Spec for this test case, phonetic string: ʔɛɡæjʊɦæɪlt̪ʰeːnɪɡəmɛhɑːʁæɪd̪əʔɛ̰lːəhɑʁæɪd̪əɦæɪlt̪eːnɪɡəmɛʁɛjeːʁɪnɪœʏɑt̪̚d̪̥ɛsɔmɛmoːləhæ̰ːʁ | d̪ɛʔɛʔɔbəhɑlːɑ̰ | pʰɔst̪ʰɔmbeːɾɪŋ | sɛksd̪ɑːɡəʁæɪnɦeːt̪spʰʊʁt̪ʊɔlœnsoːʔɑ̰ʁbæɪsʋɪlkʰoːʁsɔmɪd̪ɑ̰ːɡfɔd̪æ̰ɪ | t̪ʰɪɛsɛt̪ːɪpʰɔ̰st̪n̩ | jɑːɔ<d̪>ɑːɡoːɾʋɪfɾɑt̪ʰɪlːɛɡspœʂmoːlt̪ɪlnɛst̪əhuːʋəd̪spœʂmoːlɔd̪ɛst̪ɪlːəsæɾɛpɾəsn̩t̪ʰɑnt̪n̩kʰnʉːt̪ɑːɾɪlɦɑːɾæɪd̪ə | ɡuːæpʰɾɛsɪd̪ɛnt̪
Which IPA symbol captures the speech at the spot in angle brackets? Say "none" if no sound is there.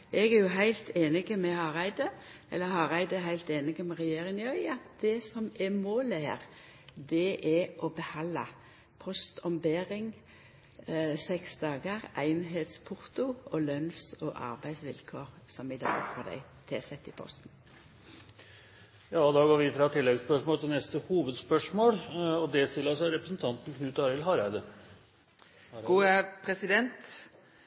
d̪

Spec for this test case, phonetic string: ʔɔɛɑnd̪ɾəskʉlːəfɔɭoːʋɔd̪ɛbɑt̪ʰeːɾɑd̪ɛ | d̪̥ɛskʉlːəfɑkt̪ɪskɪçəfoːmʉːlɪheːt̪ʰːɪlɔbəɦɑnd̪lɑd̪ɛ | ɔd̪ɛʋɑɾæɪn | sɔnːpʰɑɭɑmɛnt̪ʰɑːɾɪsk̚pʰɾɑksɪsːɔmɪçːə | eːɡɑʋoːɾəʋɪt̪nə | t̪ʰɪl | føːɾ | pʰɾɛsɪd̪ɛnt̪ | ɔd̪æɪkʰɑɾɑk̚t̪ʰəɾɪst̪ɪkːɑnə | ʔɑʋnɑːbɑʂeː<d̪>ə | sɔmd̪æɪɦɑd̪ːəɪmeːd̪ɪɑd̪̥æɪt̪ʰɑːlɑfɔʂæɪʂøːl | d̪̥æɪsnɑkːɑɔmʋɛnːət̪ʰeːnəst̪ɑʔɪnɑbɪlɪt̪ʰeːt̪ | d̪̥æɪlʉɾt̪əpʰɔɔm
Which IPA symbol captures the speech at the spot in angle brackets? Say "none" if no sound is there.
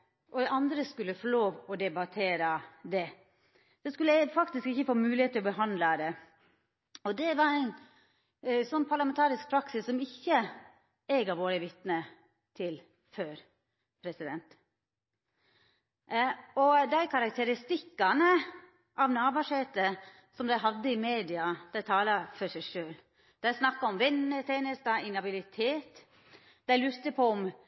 t̪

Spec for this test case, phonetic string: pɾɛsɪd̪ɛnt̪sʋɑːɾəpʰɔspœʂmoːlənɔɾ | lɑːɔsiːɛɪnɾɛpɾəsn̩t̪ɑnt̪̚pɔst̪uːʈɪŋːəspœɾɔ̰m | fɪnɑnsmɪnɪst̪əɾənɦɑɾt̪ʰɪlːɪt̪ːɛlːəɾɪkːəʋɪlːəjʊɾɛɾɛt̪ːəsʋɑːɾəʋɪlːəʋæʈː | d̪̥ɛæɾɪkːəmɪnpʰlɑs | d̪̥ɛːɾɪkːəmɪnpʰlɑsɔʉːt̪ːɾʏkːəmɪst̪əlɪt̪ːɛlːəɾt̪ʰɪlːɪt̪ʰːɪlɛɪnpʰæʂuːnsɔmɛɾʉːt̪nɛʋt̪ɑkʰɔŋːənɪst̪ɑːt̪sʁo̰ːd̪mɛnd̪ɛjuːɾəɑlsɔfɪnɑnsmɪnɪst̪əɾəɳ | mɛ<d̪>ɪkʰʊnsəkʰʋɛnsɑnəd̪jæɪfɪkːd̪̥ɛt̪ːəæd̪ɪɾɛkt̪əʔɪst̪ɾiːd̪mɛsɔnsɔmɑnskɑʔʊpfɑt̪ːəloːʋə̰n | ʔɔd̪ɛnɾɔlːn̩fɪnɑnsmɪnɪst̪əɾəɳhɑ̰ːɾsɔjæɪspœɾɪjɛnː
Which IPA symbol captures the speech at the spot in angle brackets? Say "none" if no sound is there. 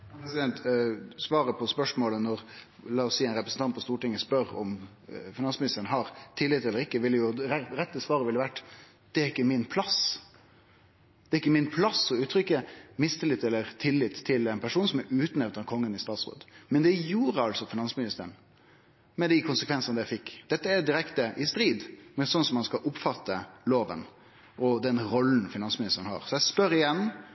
d̪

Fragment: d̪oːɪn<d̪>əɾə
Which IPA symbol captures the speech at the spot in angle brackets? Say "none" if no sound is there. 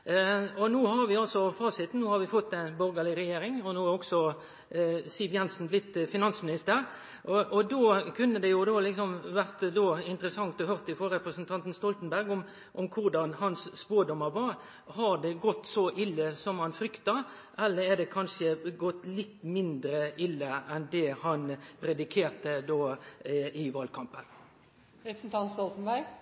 t̪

